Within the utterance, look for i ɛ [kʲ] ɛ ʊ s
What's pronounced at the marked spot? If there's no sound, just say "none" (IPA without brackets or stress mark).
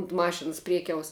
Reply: kʲ